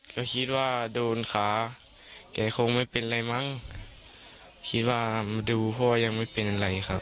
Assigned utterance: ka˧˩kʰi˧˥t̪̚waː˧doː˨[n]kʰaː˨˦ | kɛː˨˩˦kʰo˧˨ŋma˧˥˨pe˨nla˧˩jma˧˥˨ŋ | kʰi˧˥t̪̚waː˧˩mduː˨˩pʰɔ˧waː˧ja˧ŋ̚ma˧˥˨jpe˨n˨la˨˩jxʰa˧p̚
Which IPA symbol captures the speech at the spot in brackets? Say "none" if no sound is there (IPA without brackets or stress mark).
n